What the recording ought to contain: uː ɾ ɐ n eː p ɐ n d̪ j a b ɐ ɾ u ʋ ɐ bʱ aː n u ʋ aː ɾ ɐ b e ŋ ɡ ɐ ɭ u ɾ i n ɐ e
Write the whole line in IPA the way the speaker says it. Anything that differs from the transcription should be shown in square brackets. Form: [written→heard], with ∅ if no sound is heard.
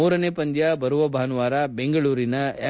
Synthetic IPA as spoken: uː ɾ ɐ n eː p ɐ n d̪ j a b ɐ ɾ u ʋ ɐ bʱ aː n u ʋ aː ɾ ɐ b e ŋ ɡ ɐ ɭ [u→uː] ɾ i n ɐ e

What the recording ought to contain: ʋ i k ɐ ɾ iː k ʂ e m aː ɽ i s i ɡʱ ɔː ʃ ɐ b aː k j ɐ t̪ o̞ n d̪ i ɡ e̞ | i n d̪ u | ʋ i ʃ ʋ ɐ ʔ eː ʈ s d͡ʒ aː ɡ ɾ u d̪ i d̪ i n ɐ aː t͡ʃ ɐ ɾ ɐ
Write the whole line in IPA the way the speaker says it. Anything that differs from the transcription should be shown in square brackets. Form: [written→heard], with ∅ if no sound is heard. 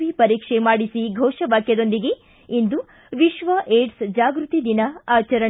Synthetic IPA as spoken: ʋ i [k→p] ɐ ɾ iː k ʂ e m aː ɽ i s i ɡʱ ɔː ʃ ɐ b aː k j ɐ [t̪→d̪] o̞ n d̪ i ɡ e̞ | i n d̪ u | ʋ i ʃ ʋ ɐ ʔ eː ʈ s d͡ʒ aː ɡ ɾ u [d̪→t̪] i d̪ i n ɐ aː t͡ʃ ɐ ɾ ɐ

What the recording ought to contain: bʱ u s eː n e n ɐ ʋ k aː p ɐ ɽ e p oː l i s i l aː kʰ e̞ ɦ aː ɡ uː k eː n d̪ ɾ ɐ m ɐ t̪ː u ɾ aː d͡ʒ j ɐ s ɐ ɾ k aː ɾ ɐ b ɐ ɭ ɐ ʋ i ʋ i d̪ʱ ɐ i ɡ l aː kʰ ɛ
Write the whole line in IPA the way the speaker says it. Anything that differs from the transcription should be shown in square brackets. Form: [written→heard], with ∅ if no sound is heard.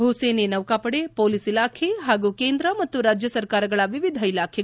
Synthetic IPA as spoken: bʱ u s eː n e n ɐ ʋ k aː p ɐ ɽ e p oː l i s i l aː kʰ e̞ ɦ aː ɡ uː k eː n d̪ ɾ ɐ m ɐ t̪ː u ɾ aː d͡ʒ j ɐ s ɐ ɾ k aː ɾ ɐ [b→ɡ] ɐ ɭ ɐ ʋ i ʋ i d̪ʱ ɐ i [ɡ→∅] l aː kʰ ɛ

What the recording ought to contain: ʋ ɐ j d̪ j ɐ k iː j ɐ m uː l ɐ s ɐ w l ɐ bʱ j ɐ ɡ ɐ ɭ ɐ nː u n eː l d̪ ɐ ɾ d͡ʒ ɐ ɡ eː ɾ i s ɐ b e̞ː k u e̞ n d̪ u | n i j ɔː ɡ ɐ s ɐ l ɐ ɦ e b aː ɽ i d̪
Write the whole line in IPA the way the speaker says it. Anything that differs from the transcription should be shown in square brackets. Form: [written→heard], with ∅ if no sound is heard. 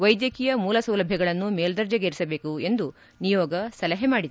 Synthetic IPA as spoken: ʋ ɐ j d̪ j ɐ k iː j ɐ m uː l ɐ s ɐ w l ɐ bʱ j ɐ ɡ ɐ ɭ ɐ nː u [n→m] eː l d̪ ɐ ɾ d͡ʒ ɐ ɡ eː ɾ i s ɐ b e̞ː k u e̞ n d̪ u | n i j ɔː ɡ ɐ s ɐ l ɐ ɦ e [b→m] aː ɽ i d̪

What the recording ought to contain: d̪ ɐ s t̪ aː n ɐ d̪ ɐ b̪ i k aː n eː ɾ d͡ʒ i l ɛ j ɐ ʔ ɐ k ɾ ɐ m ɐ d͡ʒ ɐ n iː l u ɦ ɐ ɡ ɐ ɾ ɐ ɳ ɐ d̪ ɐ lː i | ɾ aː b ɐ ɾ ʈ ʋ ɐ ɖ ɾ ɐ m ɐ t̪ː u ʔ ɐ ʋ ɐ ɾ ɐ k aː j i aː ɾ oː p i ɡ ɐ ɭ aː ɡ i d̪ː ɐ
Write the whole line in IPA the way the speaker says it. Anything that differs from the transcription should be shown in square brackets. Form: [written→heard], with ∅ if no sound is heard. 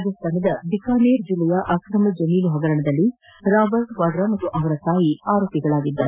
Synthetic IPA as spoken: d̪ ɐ s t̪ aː n ɐ d̪ ɐ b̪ i k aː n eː ɾ d͡ʒ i l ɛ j ɐ ʔ ɐ k ɾ ɐ m ɐ d͡ʒ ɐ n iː l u ɦ ɐ ɡ ɐ ɾ ɐ ɳ ɐ d̪ ɐ lː i | ɾ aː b ɐ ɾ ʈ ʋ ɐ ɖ ɾ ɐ m ɐ t̪ː u ʔ ɐ ʋ ɐ ɾ ɐ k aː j i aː ɾ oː p i ɡ ɐ ɭ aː ɡ i d̪ː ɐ

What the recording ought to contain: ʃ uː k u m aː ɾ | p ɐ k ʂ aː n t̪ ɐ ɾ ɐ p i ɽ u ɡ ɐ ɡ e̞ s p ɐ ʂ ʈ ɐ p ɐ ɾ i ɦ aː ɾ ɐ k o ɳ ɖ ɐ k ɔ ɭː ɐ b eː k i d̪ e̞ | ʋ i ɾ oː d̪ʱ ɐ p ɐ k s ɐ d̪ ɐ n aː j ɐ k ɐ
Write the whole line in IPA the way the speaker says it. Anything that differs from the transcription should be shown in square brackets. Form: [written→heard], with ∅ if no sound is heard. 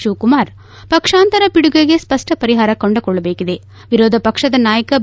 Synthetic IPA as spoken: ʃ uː k u m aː ɾ | p ɐ k ʂ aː n t̪ ɐ ɾ ɐ p i ɽ u ɡ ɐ ɡ e̞ s p ɐ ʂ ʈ ɐ p ɐ ɾ i ɦ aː ɾ ɐ k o ɳ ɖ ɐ k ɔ ɭː ɐ b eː k i d̪ e̞ | ʋ i ɾ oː d̪ʱ ɐ p ɐ k [s→ʂ] ɐ d̪ ɐ n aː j ɐ k ɐ

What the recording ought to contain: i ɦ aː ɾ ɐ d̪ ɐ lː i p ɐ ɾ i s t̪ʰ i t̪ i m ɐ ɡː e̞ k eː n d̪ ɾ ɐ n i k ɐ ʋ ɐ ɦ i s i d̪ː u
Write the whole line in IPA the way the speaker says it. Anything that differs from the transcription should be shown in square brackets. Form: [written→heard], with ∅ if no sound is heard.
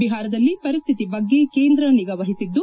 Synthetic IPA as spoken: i ɦ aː ɾ ɐ d̪ ɐ lː i p ɐ ɾ i s t̪ʰ i t̪ i [m→b] ɐ ɡː e̞ k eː n d̪ ɾ ɐ n i [k→ɡ] ɐ ʋ ɐ ɦ i s i d̪ː u

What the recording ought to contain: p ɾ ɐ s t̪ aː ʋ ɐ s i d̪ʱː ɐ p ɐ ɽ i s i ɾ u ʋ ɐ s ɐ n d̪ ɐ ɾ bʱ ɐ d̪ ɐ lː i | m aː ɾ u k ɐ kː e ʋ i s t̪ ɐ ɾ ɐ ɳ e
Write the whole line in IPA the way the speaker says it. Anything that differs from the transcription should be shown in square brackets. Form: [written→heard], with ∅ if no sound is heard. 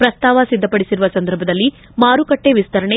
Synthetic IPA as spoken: p ɾ ɐ s t̪ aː ʋ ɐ s i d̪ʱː ɐ p ɐ ɽ i s i ɾ u ʋ ɐ s ɐ n d̪ ɐ ɾ bʱ ɐ d̪ ɐ lː i | m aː ɾ u k ɐ [kː→ʈː] e ʋ i s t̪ ɐ ɾ ɐ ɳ e

